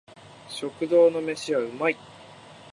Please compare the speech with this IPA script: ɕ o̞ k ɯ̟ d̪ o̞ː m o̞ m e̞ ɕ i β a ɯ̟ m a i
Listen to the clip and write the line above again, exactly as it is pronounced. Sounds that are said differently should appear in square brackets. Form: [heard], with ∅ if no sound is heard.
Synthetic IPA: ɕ o̞ k ɯ̟ d̪ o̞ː [n] o̞ m e̞ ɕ i β a ɯ̟ m a i